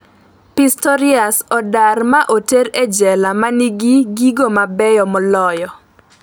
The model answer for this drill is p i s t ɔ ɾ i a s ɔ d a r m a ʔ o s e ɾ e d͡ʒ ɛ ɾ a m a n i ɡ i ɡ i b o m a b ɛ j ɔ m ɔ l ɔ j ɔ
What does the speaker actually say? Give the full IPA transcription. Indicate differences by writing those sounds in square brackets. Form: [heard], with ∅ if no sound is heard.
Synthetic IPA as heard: p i s t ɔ ɾ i a s ɔ d a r m a ʔ o [t] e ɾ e d͡ʒ ɛ [l] a m a n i ɡ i ɡ i [ɡ] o m a b ɛ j ɔ m ɔ l ɔ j ɔ